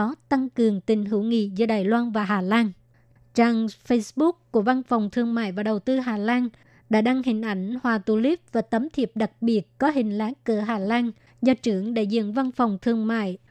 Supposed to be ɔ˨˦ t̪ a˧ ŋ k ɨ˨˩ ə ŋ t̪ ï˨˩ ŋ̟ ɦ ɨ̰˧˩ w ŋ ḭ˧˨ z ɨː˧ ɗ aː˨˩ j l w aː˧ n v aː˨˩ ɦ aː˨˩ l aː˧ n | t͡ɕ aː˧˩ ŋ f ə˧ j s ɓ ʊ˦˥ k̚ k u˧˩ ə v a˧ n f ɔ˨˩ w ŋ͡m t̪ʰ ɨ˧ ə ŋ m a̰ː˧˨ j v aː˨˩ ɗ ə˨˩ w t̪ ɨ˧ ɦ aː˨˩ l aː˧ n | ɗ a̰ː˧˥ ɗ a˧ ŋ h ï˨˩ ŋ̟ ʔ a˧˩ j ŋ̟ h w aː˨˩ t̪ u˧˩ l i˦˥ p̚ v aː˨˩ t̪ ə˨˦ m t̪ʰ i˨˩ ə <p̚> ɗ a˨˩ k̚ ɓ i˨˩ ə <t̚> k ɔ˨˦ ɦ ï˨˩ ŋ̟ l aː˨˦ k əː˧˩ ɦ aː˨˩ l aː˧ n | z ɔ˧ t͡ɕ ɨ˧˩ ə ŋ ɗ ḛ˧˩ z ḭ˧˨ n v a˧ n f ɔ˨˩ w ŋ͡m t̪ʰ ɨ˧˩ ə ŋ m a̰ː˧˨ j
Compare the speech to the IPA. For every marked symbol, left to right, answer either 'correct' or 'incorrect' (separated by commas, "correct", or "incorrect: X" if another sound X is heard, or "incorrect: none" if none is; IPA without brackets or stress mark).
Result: correct, correct